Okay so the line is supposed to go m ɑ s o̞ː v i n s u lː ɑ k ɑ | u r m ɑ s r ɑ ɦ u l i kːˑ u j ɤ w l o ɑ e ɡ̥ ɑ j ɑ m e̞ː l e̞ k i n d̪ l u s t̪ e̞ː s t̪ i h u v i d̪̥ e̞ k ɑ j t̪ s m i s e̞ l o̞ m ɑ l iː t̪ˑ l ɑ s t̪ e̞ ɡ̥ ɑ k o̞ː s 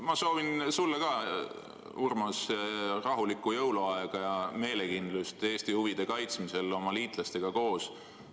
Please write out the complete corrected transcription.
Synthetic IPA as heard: m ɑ s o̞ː v i n s u lː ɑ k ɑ | u r m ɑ s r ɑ ɦ u l i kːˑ u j ɤ w l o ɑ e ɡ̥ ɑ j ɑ m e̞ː l e̞ k i n d̪ l u s t̪ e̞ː s t̪ i h u v i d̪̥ e̞ k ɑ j t̪ s m i s e̞ l o̞ m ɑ l iː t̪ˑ l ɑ s t̪ e̞ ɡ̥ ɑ k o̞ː s